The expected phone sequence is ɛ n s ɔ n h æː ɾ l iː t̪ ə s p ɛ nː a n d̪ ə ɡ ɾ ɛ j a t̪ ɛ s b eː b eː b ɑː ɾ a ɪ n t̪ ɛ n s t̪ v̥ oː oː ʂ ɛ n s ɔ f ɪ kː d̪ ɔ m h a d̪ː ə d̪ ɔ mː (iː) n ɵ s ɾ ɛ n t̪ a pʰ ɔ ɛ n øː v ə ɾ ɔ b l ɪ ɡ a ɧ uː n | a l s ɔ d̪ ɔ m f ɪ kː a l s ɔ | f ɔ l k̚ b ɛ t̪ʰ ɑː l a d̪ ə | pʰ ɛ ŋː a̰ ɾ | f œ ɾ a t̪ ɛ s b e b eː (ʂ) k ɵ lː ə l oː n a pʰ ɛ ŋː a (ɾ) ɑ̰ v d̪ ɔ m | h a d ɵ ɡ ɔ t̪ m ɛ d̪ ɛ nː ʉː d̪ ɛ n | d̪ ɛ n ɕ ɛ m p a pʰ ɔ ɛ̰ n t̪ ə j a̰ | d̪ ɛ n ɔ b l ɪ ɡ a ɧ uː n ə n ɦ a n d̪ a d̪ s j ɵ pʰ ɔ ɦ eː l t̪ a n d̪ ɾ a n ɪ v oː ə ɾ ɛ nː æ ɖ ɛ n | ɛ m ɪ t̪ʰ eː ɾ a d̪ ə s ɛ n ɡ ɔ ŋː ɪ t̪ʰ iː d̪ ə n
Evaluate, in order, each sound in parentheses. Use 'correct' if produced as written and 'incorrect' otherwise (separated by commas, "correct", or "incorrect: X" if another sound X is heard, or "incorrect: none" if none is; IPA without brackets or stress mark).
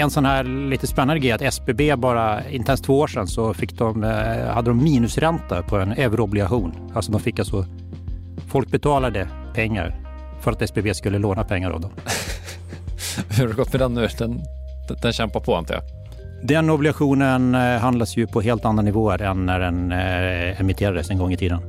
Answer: correct, incorrect: s, correct